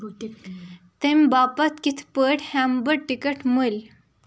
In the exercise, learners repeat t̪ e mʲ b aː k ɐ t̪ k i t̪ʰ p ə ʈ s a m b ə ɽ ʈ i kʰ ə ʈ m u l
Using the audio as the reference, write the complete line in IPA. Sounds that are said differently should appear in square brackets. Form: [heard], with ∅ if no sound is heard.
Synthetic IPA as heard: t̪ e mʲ b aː [p] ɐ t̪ k i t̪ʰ p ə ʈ [h] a m b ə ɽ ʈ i [k] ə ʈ m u l